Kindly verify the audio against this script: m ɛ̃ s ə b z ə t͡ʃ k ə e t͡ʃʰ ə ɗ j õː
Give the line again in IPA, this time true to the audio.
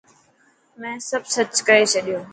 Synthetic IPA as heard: m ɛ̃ s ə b s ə t͡ʃ k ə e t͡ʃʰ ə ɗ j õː